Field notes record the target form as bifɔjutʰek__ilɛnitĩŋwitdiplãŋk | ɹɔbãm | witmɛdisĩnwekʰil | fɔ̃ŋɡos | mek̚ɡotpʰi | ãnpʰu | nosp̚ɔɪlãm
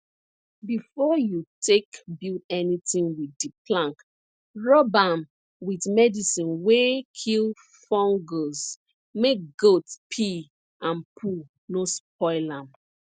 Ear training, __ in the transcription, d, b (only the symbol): b